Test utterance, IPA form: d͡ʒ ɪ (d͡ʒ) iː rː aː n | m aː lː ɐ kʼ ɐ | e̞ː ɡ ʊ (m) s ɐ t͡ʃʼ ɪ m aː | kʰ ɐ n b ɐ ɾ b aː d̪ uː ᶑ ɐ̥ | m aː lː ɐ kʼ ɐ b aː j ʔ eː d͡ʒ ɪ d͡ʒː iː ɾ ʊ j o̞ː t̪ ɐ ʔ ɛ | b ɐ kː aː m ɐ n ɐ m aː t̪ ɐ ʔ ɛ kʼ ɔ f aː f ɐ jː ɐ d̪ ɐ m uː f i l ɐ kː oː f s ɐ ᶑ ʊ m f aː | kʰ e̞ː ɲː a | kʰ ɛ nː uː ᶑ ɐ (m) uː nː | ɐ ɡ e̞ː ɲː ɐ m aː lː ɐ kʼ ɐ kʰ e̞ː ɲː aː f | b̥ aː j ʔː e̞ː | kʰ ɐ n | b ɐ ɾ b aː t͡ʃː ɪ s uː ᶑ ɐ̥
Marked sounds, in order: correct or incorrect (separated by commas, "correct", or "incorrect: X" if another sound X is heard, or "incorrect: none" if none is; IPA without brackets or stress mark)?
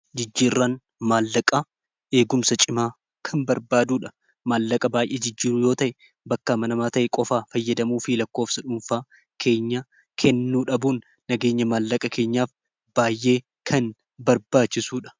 incorrect: d͡ʒː, correct, incorrect: b